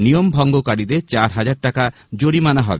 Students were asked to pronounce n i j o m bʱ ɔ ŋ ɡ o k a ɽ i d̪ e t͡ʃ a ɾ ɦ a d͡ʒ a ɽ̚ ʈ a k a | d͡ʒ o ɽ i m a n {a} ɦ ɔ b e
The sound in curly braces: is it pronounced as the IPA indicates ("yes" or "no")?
yes